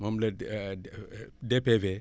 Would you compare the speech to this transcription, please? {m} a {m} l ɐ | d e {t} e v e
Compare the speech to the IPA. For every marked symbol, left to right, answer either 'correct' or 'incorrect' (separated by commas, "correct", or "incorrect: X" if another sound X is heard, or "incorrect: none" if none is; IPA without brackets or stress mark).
correct, correct, incorrect: p